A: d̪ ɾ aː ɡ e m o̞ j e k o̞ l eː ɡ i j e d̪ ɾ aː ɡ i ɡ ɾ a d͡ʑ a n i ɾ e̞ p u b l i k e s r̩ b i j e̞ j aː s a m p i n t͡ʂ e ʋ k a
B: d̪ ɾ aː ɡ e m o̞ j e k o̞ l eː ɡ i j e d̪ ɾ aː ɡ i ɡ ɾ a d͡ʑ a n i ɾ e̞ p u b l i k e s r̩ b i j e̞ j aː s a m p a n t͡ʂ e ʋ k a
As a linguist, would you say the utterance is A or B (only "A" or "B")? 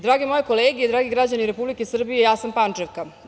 B